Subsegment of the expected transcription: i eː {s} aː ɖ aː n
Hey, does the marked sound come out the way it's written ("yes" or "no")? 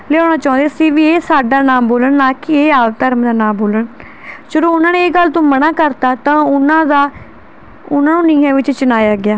yes